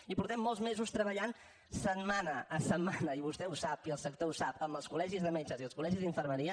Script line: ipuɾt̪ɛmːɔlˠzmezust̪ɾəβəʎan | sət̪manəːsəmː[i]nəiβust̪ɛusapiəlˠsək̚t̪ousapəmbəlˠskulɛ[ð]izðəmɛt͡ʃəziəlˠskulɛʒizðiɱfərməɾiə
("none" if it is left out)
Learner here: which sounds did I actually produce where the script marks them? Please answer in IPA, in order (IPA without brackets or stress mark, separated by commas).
a, ʒ